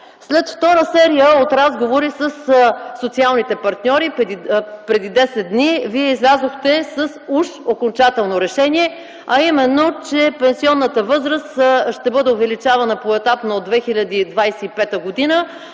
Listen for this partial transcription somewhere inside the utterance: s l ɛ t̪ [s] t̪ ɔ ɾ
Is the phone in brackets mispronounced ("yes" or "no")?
yes